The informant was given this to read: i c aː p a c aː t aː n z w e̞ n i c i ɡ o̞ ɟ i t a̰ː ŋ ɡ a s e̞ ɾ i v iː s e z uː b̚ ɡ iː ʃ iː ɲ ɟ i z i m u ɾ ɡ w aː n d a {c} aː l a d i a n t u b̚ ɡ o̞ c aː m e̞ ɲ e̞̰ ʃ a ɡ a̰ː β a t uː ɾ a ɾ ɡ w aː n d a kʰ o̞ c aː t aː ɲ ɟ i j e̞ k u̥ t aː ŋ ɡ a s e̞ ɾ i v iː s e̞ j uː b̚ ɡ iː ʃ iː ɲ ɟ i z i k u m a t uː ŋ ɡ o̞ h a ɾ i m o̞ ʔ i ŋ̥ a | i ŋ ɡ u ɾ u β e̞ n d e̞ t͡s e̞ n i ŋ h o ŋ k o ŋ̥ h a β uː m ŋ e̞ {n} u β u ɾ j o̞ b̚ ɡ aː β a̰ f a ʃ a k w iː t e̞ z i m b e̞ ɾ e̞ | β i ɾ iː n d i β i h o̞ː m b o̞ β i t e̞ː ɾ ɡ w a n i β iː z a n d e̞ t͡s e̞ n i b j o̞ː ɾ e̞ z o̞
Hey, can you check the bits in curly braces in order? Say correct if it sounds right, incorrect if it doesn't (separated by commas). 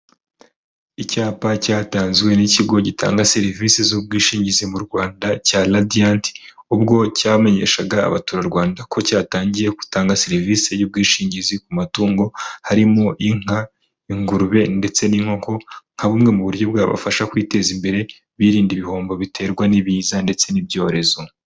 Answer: correct, incorrect